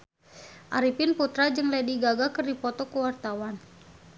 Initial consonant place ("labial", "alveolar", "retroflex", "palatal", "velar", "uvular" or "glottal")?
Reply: glottal